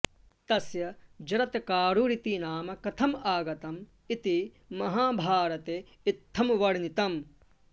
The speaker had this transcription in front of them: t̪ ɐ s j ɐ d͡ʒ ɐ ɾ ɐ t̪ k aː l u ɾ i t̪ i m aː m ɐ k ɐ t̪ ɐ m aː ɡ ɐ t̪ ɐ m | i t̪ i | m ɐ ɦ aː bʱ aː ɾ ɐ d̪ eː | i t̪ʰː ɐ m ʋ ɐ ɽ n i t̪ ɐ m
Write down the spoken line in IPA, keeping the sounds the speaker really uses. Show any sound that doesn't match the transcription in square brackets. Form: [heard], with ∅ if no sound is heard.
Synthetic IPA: t̪ ɐ s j ɐ d͡ʒ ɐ ɾ ɐ t̪ k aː [ɾ] u ɾ i t̪ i [n] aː m ɐ k ɐ [t̪ʰ] ɐ m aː ɡ ɐ t̪ ɐ m | i t̪ i | m ɐ ɦ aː bʱ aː ɾ ɐ [t̪] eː | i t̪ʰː ɐ m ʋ ɐ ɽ n i t̪ ɐ m